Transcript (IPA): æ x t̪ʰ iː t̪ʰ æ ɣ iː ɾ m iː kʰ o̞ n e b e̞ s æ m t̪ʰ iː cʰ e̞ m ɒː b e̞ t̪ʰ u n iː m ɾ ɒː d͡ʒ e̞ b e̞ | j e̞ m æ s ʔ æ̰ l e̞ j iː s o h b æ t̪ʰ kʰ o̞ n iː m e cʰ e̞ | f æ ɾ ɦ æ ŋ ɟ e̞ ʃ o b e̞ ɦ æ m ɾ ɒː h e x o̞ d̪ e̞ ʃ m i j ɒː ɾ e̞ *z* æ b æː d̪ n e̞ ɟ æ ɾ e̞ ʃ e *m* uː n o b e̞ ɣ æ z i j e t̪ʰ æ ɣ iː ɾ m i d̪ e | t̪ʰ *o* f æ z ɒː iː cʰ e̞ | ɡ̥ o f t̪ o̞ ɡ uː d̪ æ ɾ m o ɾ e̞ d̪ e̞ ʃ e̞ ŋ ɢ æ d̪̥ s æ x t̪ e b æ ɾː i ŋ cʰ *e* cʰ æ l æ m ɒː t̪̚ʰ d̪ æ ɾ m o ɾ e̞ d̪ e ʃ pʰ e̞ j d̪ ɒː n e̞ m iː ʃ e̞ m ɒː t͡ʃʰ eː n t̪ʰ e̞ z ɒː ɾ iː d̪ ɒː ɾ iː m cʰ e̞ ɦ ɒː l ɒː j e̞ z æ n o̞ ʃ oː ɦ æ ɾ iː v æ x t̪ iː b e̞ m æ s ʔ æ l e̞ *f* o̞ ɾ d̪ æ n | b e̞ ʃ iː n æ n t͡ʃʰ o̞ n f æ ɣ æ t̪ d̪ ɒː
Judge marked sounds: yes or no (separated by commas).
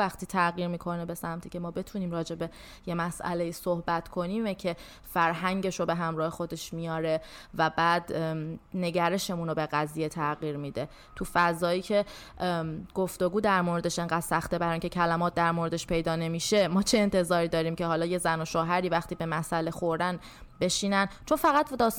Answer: no, yes, no, yes, no